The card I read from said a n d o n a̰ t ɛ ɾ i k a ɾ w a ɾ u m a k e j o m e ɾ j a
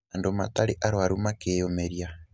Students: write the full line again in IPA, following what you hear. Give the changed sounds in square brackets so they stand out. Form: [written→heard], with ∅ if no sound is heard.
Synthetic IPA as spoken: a n d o [n→m] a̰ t [ɛ→a] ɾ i [k→ʔ] a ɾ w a ɾ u m a k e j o m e ɾ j a